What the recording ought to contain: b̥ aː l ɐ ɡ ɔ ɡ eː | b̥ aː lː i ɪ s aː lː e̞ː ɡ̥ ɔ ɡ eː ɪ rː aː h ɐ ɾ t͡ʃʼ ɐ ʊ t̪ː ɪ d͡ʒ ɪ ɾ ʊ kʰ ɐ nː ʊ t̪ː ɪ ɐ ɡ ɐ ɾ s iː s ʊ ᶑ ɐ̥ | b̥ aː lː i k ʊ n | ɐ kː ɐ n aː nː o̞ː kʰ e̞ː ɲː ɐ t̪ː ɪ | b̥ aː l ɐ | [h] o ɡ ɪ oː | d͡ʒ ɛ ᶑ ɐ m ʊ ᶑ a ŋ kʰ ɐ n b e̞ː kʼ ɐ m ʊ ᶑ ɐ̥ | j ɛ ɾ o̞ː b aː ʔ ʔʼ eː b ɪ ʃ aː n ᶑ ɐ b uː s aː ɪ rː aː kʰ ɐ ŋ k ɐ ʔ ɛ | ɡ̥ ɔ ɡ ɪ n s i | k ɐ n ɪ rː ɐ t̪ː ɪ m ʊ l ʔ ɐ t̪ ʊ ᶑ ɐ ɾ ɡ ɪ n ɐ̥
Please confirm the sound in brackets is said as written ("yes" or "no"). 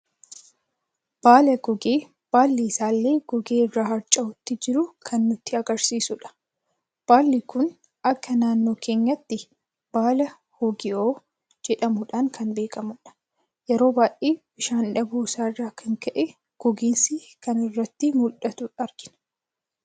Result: yes